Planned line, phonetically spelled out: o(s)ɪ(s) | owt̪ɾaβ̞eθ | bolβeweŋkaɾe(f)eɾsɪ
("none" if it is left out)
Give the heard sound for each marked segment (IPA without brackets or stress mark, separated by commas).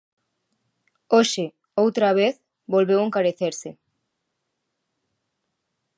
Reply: ʃ, none, θ